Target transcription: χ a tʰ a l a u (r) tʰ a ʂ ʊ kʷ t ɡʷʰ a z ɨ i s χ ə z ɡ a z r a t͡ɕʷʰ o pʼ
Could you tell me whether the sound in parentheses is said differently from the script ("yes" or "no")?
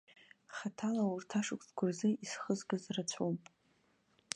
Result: no